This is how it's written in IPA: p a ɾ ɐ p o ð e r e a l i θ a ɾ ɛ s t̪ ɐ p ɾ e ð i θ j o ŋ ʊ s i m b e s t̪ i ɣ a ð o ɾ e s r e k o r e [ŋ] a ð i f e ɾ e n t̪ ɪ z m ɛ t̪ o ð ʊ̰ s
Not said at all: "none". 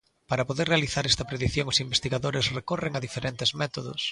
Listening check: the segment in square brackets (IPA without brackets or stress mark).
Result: ŋ